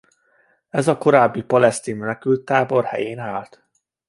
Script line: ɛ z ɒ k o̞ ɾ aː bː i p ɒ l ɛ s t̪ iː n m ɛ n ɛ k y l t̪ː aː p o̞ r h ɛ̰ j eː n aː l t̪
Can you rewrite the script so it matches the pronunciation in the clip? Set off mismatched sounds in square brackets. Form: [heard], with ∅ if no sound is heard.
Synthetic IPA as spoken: ɛ z ɒ k o̞ ɾ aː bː i p ɒ l ɛ s t̪ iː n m ɛ n ɛ k y l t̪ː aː [b] o̞ r h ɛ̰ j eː n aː l t̪